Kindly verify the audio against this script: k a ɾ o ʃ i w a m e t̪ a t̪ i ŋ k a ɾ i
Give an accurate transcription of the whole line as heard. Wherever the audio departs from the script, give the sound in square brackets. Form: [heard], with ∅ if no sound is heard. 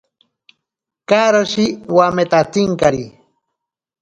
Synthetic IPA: k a ɾ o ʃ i w a m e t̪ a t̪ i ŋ k a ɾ i